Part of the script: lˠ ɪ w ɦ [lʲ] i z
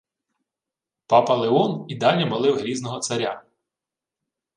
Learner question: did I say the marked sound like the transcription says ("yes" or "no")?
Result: no